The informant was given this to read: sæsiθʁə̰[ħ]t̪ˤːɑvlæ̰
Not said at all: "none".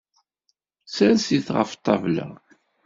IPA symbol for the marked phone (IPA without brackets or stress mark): f